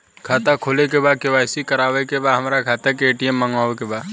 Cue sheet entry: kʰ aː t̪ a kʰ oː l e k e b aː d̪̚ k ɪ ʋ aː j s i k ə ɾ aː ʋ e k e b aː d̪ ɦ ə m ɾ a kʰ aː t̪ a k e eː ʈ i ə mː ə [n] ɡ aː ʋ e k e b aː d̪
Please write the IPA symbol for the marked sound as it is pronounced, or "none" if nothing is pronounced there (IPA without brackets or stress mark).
ŋ